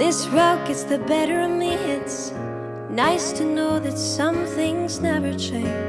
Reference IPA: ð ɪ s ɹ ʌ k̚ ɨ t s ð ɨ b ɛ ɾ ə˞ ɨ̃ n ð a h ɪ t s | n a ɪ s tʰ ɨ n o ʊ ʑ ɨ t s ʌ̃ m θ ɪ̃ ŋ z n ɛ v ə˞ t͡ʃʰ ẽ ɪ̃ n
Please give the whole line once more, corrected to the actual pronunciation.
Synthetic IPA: ð ɪ s ɹ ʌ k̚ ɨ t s ð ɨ b ɛ ɾ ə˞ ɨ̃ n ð i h ɪ t s | n a ɪ s tʰ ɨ n o ʊ ð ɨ t s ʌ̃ m θ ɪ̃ ŋ z n ɛ v ə˞ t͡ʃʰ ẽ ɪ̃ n